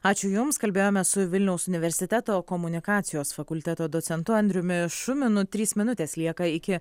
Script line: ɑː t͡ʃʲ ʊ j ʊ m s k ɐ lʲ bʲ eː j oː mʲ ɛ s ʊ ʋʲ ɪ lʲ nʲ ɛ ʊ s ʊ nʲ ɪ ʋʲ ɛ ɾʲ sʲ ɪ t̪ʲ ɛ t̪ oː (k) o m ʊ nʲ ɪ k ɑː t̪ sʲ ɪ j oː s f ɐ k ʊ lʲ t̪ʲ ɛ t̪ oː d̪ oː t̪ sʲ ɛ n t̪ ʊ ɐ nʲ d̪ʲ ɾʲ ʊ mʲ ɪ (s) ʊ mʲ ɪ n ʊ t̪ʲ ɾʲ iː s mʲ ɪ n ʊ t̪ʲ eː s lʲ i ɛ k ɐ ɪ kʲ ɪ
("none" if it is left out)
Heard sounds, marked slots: k, ʃ

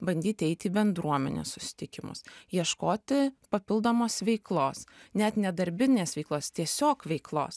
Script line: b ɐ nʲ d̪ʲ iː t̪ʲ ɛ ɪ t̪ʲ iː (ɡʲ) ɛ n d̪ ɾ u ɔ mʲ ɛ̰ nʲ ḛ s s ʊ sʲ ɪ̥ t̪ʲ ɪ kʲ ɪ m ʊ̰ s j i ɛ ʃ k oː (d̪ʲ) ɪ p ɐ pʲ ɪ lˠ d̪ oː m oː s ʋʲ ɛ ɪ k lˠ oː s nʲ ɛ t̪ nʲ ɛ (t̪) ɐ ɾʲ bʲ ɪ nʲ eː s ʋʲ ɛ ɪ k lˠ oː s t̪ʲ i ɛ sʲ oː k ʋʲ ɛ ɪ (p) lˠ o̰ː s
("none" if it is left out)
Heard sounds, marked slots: bʲ, t̪ʲ, d̪, k

